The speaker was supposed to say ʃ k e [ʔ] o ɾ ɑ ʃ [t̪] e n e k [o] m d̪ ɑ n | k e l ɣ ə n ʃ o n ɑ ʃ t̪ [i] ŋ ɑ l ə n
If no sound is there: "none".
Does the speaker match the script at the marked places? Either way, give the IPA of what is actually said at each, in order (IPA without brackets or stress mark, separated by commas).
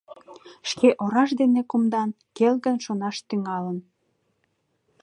ʔ, d̪, u, y